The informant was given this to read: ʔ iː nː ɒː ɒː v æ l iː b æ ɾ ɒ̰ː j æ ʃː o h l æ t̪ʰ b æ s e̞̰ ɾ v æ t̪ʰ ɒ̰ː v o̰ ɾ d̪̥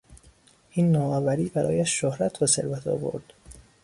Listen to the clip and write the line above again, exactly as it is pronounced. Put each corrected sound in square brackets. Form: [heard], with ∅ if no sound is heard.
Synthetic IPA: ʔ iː nː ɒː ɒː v æ [ɾ] iː b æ ɾ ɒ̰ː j æ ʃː o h [ɾ] æ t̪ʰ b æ s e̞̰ ɾ v æ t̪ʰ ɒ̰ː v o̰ ɾ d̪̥